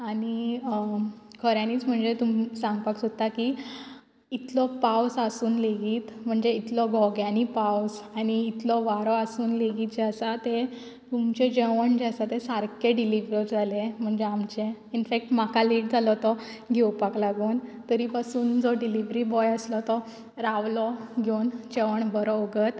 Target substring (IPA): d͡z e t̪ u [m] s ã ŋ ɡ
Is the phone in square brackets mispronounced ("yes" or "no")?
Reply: no